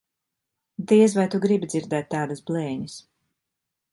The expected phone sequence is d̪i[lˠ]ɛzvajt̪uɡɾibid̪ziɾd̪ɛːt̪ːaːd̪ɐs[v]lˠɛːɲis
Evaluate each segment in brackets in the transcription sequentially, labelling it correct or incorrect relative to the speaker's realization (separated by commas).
incorrect, incorrect